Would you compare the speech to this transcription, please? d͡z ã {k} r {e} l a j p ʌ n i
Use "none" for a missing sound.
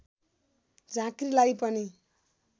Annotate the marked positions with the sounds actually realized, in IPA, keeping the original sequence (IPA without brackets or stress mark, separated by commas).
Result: k, i